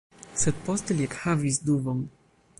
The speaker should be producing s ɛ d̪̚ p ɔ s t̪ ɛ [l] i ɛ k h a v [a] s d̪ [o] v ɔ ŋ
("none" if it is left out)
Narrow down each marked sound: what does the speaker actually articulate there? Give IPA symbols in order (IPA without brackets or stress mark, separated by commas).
l, i, u